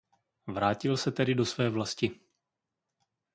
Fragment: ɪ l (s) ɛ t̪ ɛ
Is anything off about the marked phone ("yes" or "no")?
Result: no